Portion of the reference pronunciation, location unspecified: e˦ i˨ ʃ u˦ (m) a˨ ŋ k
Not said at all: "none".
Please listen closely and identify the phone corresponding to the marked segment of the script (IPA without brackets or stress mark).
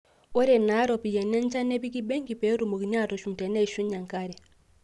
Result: ɲ